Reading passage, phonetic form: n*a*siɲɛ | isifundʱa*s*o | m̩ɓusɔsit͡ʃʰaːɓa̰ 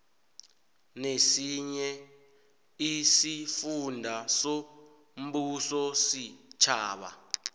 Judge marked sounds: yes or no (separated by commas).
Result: no, yes